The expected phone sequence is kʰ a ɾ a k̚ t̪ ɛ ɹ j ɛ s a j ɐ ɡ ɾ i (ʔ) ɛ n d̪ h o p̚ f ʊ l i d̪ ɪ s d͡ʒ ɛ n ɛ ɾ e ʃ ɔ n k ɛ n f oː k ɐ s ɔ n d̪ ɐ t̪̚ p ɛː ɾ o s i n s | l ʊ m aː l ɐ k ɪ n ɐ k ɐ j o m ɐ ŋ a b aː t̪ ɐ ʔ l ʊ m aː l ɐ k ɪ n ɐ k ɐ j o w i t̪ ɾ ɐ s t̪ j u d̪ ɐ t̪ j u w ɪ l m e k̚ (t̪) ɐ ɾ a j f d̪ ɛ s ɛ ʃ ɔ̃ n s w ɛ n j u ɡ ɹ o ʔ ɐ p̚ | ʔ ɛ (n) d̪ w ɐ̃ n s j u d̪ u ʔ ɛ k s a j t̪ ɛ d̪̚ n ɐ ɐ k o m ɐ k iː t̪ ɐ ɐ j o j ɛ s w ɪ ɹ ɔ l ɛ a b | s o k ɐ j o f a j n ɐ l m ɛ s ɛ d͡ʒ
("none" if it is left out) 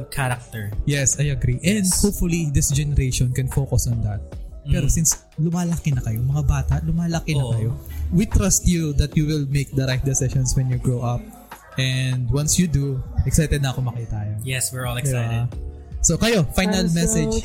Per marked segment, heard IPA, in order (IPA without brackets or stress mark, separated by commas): ʔ, d̪, n